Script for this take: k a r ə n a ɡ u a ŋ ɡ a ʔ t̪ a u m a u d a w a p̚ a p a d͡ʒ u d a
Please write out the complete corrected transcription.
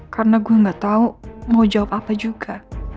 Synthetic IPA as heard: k a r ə n a ɡ u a ŋ ɡ a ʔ t̪ a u m a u d͡ʒ a w a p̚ a p a d͡ʒ u ɡ a